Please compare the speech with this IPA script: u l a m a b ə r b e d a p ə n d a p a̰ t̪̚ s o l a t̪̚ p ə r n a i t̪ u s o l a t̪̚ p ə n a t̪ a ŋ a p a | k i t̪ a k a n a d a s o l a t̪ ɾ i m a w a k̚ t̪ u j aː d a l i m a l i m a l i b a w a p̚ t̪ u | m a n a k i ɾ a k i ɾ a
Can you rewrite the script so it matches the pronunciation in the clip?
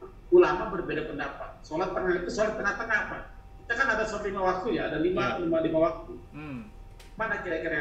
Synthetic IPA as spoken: u l a m a b ə r b e d a p ə n d a p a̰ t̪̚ s o l a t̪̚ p ə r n a i t̪ u s o l a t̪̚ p ə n a t̪ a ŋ a p a | k i t̪ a k a n a d a s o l a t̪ l i m a w a k̚ t̪ u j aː d a l i m a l i m a l i m a w a k̚ t̪ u | m a n a k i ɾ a k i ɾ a